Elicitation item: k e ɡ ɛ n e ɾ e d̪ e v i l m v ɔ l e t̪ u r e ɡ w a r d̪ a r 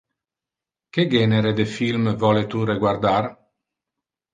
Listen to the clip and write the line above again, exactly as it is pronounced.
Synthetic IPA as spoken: k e ɡ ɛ n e ɾ e d̪ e f i l m v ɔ l e t̪ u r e ɡ w a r d̪ a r